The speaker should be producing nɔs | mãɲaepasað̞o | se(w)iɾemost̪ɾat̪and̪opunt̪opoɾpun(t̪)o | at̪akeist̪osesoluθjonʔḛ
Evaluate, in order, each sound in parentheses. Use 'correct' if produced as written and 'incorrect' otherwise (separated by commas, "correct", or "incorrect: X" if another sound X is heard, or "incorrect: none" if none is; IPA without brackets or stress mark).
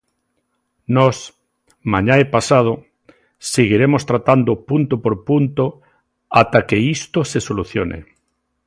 incorrect: ɣ, correct